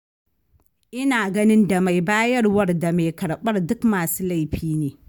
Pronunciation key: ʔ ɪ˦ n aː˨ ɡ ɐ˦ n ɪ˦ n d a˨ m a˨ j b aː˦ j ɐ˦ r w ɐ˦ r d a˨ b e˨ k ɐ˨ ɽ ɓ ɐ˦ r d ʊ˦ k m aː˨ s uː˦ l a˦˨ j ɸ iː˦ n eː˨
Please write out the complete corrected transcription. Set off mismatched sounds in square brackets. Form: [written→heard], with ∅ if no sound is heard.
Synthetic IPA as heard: ʔ ɪ˦ n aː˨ ɡ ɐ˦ n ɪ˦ n d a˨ m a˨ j b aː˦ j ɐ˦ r w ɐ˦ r d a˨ [b→m] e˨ k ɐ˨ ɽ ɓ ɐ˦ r d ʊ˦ k m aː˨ s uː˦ l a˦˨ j ɸ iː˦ n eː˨

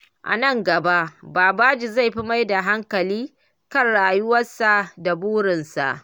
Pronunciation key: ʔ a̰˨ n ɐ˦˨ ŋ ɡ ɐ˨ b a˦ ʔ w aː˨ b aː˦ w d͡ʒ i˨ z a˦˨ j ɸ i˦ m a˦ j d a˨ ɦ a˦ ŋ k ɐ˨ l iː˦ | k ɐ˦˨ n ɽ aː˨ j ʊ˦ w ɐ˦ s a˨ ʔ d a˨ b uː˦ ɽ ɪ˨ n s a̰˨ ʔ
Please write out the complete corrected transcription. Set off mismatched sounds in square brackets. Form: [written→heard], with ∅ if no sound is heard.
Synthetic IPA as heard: ʔ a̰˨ n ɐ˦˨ ŋ ɡ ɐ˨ b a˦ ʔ [w→b] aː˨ b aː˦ [w→∅] d͡ʒ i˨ z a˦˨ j ɸ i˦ m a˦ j d a˨ ɦ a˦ ŋ k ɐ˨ l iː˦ | k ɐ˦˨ n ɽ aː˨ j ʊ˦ w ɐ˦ s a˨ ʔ d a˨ b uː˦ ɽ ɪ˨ n s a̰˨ ʔ

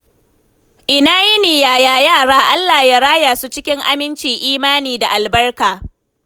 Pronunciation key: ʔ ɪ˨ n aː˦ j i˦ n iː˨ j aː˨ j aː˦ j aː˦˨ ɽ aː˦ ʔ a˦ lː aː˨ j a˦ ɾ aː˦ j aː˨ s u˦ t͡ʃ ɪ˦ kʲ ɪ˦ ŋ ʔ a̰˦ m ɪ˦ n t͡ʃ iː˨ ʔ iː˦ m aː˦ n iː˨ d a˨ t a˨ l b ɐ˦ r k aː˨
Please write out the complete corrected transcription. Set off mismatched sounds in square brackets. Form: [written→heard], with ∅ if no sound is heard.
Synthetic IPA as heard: ʔ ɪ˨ n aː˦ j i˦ n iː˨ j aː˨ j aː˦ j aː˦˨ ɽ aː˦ ʔ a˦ lː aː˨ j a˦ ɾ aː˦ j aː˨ s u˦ t͡ʃ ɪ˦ kʲ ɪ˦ ŋ ʔ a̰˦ m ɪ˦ n t͡ʃ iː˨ ʔ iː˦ m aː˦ n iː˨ d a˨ [t→ʔ] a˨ l b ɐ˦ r k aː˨

